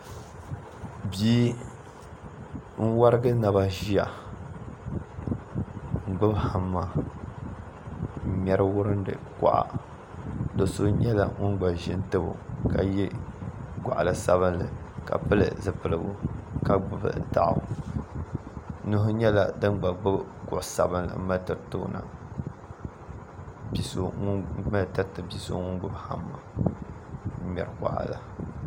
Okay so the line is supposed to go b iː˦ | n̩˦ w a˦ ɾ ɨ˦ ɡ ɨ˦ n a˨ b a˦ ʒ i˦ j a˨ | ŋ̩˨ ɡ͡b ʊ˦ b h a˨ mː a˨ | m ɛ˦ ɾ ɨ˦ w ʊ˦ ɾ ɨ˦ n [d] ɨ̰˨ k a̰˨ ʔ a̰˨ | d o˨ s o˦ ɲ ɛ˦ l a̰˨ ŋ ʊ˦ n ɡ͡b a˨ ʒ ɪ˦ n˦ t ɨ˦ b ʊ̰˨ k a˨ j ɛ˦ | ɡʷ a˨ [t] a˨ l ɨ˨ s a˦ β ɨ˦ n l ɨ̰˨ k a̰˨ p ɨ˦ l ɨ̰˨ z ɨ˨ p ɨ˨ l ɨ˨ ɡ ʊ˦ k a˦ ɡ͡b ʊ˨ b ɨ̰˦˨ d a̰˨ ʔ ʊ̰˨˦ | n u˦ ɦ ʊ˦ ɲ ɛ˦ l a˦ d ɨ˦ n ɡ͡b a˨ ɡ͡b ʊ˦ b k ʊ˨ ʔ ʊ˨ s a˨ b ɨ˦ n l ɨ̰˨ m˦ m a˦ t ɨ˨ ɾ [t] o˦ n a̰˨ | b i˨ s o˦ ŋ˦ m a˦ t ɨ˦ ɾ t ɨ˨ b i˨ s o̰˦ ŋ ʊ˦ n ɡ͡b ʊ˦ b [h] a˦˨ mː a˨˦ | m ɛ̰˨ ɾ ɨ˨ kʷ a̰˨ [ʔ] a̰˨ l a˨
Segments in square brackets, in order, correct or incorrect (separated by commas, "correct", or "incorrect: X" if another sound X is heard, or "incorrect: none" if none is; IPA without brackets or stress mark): correct, incorrect: ʔ, correct, correct, correct